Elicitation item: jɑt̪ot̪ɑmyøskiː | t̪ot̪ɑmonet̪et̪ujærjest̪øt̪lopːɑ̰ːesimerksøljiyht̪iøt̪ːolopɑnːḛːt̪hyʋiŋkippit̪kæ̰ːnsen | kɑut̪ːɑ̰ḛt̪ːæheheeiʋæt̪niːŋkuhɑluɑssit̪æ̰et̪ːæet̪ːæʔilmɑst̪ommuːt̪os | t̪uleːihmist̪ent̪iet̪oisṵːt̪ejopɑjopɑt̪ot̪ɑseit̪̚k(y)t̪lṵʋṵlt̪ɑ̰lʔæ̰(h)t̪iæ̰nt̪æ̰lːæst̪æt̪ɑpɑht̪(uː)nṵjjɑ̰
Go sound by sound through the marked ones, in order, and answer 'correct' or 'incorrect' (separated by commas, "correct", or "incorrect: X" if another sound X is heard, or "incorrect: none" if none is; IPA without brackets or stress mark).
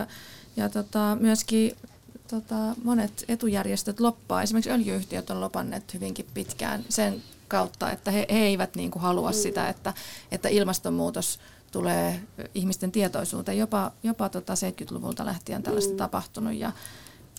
correct, correct, incorrect: u